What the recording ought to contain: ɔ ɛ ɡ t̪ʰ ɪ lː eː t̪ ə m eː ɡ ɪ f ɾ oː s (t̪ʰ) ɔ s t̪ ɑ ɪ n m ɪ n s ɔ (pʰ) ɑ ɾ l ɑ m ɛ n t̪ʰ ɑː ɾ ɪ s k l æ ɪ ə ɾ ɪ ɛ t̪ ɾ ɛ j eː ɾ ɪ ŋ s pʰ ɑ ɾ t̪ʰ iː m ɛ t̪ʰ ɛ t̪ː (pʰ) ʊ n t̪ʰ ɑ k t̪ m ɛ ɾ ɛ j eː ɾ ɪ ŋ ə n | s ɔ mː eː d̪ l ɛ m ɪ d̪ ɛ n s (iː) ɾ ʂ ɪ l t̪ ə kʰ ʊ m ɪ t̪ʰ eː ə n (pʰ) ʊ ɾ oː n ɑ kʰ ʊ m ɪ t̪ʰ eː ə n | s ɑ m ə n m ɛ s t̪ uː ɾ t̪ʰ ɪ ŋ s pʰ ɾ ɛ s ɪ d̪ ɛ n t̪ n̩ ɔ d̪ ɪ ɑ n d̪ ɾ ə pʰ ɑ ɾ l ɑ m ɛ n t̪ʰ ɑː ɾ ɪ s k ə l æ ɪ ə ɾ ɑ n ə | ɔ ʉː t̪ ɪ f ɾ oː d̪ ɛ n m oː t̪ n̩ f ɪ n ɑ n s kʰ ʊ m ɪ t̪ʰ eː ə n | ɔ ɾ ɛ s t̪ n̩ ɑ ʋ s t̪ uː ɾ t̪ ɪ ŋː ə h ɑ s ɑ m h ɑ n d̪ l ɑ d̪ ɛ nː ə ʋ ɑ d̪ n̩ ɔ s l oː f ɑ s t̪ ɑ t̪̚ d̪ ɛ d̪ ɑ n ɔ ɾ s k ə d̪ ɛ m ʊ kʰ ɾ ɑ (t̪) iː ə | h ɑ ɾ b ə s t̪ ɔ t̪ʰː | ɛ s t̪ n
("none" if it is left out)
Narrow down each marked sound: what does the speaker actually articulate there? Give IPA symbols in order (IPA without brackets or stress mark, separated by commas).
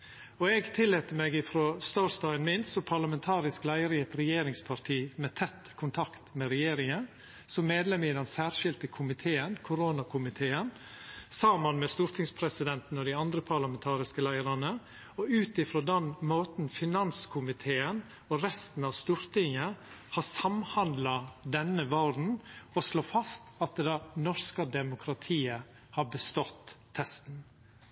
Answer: t̪, pʰ, kʰ, æː, kʰ, t̪ʰ